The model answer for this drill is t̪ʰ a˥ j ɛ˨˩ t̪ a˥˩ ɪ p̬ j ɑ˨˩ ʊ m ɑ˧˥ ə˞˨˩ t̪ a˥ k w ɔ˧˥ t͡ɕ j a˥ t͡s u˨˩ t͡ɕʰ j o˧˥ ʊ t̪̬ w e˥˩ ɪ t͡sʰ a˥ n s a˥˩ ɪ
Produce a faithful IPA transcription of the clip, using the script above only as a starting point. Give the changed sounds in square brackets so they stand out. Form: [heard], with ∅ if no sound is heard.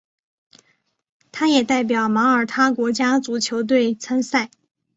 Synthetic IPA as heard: t̪ʰ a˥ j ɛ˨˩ t̪ a˥˩ ɪ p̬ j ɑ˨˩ ʊ m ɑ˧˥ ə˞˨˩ [t̪ʰ] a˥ k w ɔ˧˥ t͡ɕ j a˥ t͡s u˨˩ t͡ɕʰ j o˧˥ ʊ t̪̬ w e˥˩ ɪ t͡sʰ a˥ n s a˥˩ ɪ

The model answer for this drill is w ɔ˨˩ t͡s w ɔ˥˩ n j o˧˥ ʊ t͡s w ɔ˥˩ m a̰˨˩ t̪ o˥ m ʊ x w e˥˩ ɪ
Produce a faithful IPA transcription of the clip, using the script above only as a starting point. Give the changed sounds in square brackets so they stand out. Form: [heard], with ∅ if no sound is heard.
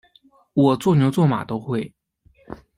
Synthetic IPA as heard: w ɔ˨˩ t͡s w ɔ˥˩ n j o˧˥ ʊ t͡s w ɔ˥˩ m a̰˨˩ t̪ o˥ [∅] ʊ x w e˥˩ ɪ

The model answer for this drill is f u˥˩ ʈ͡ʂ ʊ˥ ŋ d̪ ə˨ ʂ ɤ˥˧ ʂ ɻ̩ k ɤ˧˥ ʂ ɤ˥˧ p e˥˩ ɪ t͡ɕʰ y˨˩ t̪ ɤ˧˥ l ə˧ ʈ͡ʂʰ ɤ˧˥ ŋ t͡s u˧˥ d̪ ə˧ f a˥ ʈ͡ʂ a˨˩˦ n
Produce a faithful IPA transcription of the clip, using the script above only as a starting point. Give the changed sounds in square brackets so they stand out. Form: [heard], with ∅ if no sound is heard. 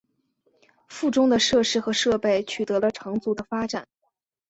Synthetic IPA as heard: f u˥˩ ʈ͡ʂ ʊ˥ ŋ d̪ ə˨ ʂ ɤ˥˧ ʂ ɻ̩ [x] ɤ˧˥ ʂ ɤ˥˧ p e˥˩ ɪ t͡ɕʰ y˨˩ t̪ ɤ˧˥ l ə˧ ʈ͡ʂʰ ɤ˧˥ ŋ t͡s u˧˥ d̪ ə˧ f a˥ ʈ͡ʂ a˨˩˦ n

